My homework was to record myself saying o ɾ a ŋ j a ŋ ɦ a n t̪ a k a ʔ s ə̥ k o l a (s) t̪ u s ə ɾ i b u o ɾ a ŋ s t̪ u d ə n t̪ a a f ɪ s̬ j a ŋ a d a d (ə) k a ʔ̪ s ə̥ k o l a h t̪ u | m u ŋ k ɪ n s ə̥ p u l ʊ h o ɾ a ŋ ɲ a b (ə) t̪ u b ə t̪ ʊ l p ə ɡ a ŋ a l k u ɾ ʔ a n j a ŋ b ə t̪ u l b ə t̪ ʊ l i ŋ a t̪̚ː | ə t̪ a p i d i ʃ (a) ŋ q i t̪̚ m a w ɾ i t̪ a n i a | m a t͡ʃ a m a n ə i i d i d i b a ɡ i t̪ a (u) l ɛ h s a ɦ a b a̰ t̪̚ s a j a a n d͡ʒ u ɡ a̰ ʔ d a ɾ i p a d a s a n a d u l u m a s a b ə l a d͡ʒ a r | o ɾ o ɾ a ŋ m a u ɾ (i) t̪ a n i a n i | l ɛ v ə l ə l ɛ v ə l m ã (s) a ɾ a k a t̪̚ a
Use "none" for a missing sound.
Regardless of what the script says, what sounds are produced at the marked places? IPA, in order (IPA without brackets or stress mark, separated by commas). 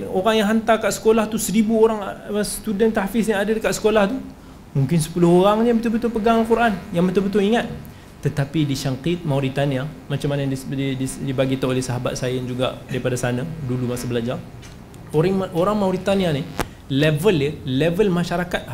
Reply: h, ə, ə, a, o, i, ʃ